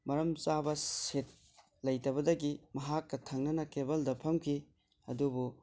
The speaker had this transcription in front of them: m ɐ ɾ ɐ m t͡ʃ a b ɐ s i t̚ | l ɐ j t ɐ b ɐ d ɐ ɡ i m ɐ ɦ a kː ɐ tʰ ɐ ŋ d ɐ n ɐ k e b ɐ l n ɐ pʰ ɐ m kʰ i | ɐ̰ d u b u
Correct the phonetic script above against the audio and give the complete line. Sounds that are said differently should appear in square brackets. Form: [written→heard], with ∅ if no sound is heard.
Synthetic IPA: m ɐ ɾ ɐ m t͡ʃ a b ɐ s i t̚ | l ɐ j t ɐ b ɐ d ɐ ɡ i m ɐ ɦ a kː ɐ tʰ ɐ ŋ [d→n] ɐ n ɐ k e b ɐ l [n→d] ɐ pʰ ɐ m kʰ i | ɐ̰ d u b u

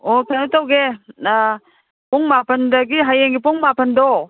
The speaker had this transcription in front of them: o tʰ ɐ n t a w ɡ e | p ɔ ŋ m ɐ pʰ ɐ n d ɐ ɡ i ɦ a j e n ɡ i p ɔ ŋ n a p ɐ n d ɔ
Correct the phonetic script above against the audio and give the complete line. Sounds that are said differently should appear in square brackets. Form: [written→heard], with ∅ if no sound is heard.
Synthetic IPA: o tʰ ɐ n t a w ɡ e | p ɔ ŋ m [ɐ→a] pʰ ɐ n d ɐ ɡ i ɦ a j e [n→ŋ] ɡ i p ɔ ŋ [n→m] a p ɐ n d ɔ

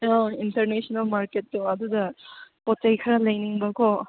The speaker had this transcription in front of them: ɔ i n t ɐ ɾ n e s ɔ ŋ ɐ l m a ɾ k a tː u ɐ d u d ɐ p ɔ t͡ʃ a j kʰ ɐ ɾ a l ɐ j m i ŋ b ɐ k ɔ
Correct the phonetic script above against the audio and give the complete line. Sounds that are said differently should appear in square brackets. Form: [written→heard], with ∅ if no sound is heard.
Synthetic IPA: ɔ i n t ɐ ɾ n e s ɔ [ŋ→n] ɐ l m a ɾ k [a→e] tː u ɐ d u d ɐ p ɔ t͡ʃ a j kʰ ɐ ɾ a l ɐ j [m→n] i ŋ b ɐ k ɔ

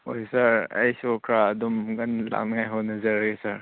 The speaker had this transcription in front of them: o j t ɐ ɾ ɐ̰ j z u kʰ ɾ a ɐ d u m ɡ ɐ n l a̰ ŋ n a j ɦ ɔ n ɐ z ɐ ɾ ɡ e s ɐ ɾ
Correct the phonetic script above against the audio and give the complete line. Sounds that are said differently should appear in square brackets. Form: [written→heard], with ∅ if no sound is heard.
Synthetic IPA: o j [t→s] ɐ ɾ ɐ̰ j [z→s] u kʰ ɾ a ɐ d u m ɡ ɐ n l a̰ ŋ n a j ɦ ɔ n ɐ z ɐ ɾ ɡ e s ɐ ɾ

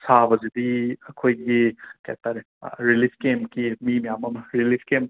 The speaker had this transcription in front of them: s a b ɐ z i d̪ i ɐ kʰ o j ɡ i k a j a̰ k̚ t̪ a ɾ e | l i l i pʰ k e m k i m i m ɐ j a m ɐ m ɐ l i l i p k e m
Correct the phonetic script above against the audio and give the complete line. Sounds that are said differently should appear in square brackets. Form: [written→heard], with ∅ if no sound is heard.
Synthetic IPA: s a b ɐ z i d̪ i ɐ kʰ o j ɡ i k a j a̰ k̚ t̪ a ɾ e | [l→ɾ] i l i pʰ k e m k i m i m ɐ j a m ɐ m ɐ [l→ɾ] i l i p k e m

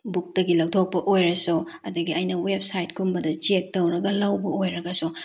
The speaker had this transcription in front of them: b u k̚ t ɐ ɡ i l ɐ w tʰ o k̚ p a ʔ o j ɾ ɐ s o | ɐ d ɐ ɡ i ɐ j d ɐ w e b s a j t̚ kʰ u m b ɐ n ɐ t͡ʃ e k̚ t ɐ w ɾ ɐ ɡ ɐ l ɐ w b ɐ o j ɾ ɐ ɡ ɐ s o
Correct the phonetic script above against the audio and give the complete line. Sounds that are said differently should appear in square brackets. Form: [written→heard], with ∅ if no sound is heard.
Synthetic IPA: b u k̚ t ɐ ɡ i l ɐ w tʰ o k̚ p [a→ɐ] ʔ o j ɾ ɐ s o | ɐ d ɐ ɡ i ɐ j [d→n] ɐ w e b s a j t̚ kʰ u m b ɐ [n→d] ɐ t͡ʃ e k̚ t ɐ w ɾ ɐ ɡ ɐ l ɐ w b ɐ o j ɾ ɐ ɡ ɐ s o

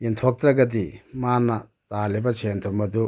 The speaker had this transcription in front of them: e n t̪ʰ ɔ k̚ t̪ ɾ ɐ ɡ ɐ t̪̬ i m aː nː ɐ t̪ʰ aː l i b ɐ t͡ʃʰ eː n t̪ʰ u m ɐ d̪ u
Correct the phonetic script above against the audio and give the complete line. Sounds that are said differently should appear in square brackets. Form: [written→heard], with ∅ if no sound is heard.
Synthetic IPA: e n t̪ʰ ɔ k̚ t̪ ɾ ɐ ɡ ɐ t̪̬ i m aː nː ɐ [t̪ʰ→t̪] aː l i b ɐ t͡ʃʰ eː n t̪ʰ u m ɐ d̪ u

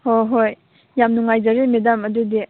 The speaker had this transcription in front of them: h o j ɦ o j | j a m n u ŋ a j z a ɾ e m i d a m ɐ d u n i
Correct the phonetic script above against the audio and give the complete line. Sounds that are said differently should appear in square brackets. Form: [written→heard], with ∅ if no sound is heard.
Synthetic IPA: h o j ɦ o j | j a m n u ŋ a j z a ɾ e m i d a m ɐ d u [n→d] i

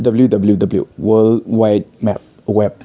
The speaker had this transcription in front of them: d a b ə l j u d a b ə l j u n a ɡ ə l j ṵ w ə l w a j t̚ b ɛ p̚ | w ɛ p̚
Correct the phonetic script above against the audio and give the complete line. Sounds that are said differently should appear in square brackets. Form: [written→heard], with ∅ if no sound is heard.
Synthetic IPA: d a b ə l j u d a b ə l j u [n→d] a [ɡ→b] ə l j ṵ w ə l w a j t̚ [b→m] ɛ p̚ | w ɛ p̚

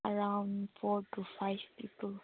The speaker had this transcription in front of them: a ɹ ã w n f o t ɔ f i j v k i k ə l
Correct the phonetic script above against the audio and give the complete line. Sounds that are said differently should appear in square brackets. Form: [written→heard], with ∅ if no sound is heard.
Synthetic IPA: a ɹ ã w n f [o→ɔ] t [ɔ→u] f [i→a] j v [k→p] i [k→p] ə l

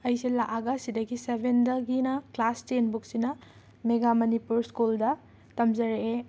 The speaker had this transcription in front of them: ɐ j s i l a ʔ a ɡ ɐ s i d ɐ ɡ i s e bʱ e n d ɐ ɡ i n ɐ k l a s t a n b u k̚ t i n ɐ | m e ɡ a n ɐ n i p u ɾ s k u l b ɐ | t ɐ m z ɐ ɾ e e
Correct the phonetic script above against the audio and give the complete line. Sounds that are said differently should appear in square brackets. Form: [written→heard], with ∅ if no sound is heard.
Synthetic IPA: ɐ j s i l a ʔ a ɡ ɐ s i d ɐ ɡ i s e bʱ e n d ɐ ɡ i n ɐ k l a s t [a→e] n b u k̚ [t→s] i n ɐ | m e ɡ a [n→m] ɐ n i p u ɾ s k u l [b→d] ɐ | t ɐ m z ɐ ɾ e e

